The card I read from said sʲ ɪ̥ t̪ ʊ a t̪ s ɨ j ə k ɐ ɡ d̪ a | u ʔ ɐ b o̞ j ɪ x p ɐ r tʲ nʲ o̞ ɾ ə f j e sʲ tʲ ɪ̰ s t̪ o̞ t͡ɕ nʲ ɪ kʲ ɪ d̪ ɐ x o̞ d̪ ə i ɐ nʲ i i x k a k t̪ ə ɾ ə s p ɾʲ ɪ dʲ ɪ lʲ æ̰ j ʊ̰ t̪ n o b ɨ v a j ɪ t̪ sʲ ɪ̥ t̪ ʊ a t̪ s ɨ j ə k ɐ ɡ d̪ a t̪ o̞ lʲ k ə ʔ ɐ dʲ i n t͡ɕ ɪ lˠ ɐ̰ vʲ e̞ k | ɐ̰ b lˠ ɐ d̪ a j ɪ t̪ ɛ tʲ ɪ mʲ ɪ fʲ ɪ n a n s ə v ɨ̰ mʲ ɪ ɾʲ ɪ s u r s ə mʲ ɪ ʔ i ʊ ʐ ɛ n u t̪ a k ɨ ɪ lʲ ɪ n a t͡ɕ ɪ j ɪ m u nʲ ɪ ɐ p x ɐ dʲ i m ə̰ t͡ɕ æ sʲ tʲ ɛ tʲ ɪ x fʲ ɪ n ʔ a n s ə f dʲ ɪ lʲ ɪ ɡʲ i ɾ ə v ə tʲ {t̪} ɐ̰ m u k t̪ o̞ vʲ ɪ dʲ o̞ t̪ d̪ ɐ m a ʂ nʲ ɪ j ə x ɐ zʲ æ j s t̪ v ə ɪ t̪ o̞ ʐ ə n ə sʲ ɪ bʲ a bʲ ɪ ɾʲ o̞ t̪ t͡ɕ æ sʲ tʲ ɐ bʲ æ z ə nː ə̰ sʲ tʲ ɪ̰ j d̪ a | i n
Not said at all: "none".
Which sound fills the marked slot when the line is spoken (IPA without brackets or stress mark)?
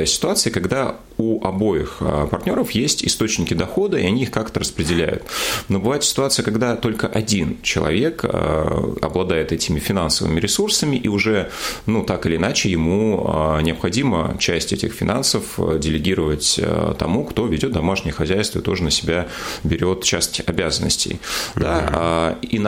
t̪